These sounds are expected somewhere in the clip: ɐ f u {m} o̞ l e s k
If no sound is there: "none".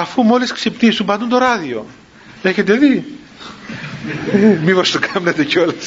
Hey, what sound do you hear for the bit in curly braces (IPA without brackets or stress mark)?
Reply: m